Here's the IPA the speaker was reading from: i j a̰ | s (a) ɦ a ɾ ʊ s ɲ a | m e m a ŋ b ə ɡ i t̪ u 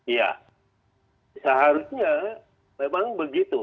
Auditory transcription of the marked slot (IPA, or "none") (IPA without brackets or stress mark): ə